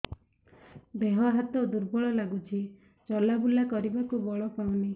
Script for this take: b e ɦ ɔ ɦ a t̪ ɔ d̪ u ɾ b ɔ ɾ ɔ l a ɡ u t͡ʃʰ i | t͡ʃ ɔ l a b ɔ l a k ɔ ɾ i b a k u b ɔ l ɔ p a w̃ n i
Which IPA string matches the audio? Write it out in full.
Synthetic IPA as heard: b e ɦ ɔ ɦ a t̪ ɔ d̪ u ɾ b ɔ ɭ ɔ l a ɡ u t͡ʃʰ i | t͡ʃ ɔ l a b u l a k ɔ ɾ i b a k u b ɔ ɭ ɔ p a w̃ n i